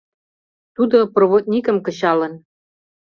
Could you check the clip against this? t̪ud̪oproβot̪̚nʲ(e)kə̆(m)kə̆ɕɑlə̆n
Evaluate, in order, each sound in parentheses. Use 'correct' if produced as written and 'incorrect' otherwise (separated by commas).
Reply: incorrect, correct